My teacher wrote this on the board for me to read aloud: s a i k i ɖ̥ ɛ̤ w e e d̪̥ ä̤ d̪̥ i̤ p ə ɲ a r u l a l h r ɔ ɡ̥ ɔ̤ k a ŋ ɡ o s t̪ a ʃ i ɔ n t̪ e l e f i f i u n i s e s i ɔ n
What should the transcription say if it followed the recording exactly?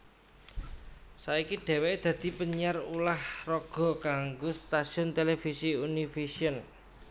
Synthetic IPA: s a i k i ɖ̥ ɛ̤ w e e d̪̥ ä̤ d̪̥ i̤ p ə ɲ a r u l a h r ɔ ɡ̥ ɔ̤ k a ŋ ɡ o s t̪ a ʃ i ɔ n t̪ e l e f i s i u n i f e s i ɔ n